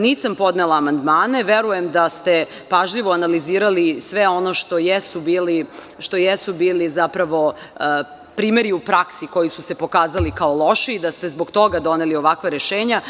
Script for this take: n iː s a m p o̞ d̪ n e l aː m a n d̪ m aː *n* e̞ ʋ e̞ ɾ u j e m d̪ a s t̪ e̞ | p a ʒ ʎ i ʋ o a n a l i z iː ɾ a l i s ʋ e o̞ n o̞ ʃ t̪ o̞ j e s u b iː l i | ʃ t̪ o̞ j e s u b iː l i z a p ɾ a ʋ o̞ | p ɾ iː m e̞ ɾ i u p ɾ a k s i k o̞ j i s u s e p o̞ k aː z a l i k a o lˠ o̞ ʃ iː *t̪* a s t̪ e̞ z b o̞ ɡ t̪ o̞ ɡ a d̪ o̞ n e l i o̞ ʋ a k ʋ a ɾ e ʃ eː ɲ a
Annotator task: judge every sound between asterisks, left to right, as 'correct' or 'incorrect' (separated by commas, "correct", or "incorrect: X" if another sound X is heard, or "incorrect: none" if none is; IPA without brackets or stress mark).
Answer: correct, incorrect: d̪